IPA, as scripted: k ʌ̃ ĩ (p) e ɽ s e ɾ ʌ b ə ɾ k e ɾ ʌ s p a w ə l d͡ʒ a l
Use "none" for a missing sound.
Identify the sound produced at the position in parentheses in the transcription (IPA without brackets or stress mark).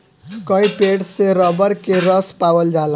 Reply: p